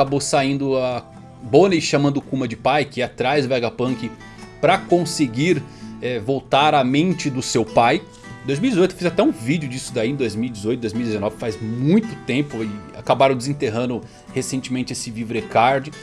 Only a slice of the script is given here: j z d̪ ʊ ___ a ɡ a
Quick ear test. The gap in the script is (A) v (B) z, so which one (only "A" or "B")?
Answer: A